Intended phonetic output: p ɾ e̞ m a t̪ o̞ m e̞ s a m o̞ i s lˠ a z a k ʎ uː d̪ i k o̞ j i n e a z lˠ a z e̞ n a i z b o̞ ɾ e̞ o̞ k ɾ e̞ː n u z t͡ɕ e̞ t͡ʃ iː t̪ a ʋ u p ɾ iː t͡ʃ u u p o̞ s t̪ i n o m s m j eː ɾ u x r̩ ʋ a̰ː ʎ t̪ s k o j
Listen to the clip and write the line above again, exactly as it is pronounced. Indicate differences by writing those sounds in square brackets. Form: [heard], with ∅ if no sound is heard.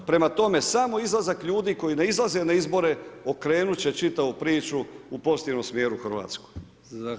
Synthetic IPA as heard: p ɾ e̞ m a t̪ o̞ m e̞ s a m o̞ i [z] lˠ a z a k ʎ uː d̪ i k o̞ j i n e [i] z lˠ a z e̞ n a i z b o̞ ɾ e̞ o̞ k ɾ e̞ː n u [∅] t͡ɕ e̞ t͡ʃ [i] t̪ a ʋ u p ɾ iː t͡ʃ u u p o̞ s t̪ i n o m s m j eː ɾ u x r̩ ʋ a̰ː [∅] t̪ s k o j